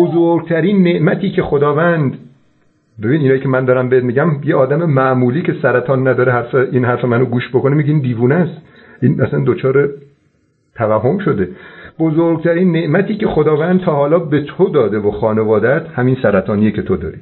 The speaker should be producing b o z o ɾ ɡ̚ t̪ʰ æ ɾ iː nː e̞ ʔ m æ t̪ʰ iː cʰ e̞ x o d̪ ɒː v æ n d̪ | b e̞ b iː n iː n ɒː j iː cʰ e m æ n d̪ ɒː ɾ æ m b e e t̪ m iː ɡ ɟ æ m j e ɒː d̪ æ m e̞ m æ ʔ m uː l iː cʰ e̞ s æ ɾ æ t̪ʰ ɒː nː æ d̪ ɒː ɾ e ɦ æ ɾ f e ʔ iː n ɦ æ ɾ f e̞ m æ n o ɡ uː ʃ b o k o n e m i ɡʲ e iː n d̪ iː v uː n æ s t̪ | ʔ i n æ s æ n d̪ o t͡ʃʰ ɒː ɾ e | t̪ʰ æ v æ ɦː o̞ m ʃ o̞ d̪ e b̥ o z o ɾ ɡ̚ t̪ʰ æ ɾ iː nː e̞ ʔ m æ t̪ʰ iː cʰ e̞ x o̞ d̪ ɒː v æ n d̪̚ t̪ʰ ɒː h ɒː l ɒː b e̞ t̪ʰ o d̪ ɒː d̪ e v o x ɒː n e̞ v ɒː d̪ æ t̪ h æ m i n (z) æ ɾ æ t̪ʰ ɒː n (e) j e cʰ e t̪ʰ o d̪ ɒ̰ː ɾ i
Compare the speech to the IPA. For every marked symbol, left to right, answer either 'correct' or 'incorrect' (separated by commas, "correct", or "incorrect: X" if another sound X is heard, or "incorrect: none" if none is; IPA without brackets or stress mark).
incorrect: s, incorrect: i